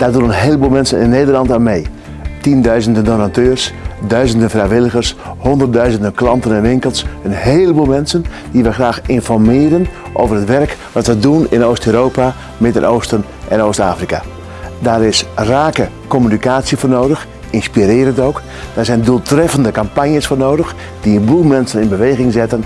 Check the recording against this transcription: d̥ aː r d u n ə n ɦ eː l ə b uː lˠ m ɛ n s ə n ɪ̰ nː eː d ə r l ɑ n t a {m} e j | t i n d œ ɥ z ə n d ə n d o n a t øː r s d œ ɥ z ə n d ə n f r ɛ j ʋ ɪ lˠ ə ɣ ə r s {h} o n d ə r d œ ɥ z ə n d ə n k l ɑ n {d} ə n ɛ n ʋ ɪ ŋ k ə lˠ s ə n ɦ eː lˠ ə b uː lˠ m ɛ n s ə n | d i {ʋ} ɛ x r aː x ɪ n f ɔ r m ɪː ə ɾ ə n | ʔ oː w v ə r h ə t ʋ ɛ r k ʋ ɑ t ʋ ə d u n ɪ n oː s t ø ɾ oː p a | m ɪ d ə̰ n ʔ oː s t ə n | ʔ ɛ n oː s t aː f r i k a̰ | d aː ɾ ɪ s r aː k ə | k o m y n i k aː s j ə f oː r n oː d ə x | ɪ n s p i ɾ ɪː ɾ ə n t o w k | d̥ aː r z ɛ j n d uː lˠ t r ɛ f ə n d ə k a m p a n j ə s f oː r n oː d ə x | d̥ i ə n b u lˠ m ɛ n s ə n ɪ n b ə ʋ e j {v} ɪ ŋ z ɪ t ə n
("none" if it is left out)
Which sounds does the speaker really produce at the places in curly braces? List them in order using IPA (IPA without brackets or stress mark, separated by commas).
m, h, t, ʋ, ɣ